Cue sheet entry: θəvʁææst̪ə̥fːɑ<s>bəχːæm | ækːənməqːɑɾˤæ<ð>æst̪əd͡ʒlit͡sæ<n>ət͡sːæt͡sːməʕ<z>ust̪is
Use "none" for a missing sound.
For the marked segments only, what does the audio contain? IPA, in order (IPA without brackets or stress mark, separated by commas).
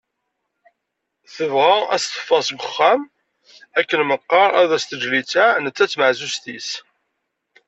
s, ð, n, z